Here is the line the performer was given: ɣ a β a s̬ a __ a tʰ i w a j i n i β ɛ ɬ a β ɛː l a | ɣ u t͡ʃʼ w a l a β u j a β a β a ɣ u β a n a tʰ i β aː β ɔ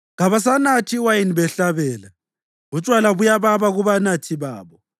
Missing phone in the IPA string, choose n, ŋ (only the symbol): n